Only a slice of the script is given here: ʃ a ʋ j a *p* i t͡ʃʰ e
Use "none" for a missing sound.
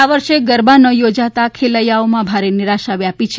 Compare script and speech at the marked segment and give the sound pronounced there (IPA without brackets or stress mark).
p